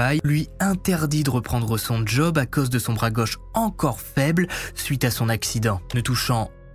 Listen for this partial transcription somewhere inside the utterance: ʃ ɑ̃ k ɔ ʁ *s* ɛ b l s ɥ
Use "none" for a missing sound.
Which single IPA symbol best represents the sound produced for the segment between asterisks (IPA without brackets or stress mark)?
f